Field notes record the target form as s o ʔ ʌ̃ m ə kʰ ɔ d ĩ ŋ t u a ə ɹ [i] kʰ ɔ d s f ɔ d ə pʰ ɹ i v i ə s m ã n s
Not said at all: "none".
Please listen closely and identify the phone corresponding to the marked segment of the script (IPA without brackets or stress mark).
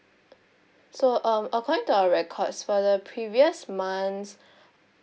ɛ